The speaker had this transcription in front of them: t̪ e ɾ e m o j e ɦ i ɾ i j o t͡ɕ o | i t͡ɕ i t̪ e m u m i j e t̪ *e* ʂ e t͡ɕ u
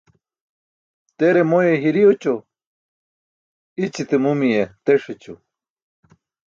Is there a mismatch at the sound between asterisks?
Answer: no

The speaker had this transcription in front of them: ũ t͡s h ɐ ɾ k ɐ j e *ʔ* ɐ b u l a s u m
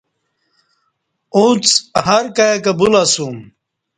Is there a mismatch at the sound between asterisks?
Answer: yes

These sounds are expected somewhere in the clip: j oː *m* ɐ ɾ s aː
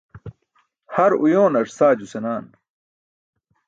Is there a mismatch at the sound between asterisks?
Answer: yes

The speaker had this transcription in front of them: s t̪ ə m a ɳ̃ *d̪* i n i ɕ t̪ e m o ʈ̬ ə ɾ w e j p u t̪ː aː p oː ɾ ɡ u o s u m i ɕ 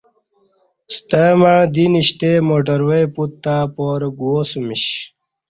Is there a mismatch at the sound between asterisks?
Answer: no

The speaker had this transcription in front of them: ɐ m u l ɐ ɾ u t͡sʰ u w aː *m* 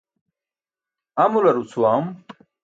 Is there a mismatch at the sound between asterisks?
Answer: no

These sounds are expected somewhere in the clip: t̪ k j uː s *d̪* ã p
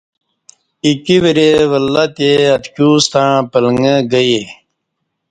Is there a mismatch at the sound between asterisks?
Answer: yes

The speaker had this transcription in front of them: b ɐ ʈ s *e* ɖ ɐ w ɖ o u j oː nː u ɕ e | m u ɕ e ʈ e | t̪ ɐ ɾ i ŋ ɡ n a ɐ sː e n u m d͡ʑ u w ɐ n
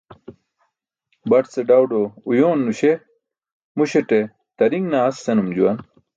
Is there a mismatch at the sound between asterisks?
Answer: no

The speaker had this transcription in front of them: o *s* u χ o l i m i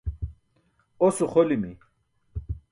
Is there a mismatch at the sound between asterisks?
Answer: no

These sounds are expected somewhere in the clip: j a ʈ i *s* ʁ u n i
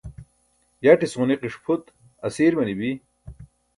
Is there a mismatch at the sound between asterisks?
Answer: no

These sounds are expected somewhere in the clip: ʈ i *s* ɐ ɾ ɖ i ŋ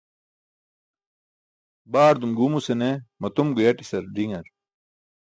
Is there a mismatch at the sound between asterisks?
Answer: no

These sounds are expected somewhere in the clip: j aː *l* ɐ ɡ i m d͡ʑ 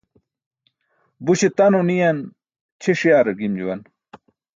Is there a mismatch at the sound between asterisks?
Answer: yes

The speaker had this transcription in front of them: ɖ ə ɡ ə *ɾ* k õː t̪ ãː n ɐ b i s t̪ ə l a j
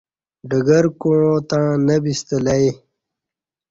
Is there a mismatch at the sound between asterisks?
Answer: no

